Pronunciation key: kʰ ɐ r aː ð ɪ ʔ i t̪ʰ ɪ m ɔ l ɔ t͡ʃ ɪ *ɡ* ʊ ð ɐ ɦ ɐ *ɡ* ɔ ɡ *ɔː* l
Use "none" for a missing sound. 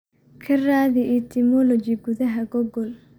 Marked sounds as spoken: ɡ, ɡ, ɔ

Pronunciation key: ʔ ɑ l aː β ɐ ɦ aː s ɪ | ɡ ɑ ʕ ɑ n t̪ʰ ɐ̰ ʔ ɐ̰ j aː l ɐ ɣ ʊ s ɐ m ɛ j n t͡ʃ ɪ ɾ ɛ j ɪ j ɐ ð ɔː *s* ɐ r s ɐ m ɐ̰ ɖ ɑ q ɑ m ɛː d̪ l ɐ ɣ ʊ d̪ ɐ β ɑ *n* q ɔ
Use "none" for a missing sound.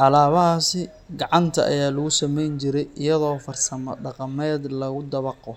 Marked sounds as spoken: f, none

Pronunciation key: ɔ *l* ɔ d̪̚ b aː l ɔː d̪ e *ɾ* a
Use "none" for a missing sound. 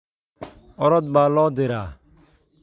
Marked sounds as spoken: ɾ, ɾ

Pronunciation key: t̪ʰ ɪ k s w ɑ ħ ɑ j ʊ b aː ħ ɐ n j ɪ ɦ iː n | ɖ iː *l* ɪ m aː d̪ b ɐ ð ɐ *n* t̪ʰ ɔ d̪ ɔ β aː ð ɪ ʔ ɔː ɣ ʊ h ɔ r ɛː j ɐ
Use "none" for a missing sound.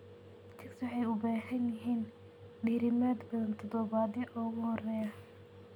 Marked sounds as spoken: ɾ, n

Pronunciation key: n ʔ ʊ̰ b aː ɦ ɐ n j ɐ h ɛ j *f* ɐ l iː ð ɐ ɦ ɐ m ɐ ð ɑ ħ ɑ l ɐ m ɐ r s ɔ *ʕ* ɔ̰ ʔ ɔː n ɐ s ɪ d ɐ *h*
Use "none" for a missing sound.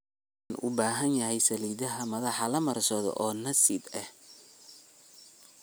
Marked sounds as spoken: s, ð, h

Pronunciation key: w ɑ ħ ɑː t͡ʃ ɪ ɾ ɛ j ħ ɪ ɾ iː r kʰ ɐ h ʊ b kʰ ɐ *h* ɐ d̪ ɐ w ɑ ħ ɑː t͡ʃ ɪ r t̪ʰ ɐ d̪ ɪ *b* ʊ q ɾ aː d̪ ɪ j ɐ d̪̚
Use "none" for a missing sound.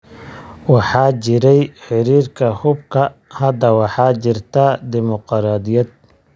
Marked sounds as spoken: h, m

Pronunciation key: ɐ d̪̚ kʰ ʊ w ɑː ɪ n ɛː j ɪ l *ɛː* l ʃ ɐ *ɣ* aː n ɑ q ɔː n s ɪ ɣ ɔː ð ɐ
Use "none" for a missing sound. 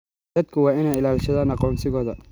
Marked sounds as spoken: aː, ð

